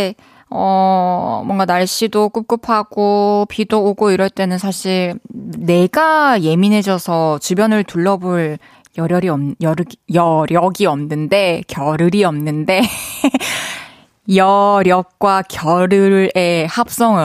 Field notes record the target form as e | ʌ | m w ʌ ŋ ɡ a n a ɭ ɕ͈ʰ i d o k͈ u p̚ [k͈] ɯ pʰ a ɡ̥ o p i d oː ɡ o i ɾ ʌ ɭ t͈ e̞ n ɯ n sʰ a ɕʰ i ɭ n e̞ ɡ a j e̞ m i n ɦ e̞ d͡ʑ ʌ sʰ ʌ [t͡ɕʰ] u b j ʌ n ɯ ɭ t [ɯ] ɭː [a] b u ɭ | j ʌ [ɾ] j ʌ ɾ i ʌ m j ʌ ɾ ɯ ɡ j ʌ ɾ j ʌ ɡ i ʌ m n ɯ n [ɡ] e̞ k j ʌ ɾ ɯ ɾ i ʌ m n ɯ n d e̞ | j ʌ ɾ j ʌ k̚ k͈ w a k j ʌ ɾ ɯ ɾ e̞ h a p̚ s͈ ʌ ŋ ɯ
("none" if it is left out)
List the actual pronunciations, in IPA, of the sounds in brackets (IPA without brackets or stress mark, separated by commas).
k͈, t͡ɕ, u, ʌ, ɾ, d